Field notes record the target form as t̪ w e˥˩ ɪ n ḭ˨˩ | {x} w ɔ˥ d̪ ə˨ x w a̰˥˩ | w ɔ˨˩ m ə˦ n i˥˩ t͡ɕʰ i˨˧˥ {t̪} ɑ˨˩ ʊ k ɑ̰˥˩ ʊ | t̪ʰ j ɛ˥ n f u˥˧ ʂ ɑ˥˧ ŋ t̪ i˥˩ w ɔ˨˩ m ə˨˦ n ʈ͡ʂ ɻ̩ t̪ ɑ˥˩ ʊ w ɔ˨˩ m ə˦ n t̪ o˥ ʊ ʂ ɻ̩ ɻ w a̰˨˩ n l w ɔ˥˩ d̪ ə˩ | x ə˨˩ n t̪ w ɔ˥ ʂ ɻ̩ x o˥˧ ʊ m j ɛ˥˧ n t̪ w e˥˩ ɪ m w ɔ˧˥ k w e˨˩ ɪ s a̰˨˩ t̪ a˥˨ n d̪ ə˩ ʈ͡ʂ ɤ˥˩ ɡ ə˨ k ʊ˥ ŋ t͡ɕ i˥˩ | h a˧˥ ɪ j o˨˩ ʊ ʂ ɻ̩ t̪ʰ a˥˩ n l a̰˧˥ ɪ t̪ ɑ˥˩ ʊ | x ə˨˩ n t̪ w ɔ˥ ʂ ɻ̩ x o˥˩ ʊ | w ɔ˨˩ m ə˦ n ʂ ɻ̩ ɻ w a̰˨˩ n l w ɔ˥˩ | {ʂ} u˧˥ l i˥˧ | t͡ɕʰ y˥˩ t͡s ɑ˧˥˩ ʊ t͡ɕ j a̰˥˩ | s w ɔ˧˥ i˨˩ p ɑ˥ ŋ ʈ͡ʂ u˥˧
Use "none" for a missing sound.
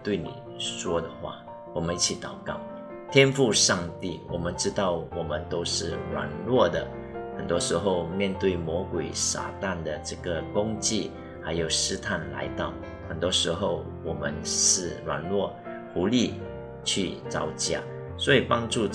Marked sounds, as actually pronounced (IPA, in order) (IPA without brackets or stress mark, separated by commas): ʂ, t̪, x